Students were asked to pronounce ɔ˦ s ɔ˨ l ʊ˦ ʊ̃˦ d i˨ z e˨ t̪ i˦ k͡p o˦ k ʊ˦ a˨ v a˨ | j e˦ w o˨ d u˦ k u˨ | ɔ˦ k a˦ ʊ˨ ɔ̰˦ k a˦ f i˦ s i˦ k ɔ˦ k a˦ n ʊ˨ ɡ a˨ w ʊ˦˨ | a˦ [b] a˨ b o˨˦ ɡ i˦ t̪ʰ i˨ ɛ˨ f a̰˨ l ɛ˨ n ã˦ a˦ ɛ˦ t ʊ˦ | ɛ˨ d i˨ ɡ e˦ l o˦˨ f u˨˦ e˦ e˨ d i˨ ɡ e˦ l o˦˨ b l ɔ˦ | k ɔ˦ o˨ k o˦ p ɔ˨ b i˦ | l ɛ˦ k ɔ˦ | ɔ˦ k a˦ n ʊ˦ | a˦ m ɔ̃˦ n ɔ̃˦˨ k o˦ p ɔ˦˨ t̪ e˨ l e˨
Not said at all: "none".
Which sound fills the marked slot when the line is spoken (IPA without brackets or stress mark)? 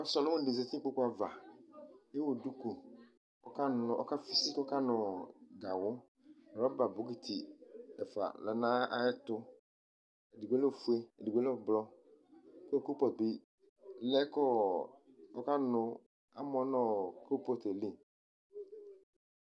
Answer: b